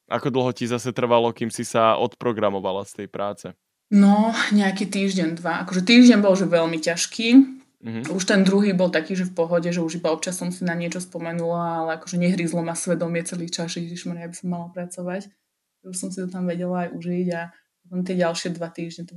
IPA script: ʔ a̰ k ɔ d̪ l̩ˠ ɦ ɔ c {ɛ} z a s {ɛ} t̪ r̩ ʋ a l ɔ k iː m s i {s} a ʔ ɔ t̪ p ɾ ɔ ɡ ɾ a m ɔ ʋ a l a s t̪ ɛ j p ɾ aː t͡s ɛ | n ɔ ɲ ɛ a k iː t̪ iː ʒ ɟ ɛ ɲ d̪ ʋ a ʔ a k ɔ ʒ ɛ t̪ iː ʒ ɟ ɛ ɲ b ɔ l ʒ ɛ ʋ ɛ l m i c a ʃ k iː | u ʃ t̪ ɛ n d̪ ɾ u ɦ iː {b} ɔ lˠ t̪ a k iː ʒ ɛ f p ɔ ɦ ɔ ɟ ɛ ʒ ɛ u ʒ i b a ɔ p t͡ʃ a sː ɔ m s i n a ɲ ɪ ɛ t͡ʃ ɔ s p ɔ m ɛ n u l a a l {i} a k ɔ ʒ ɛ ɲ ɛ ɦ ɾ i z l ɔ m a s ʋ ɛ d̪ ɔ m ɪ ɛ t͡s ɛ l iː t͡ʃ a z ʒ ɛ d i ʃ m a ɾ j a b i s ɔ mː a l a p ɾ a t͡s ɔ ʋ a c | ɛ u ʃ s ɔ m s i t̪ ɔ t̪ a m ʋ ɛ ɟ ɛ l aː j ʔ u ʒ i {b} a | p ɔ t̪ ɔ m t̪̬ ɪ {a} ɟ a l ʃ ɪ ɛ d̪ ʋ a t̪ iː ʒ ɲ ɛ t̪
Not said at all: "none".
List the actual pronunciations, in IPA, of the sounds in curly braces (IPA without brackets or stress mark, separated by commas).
i, ɛ, s, b, ɛ, ɟ, ɛ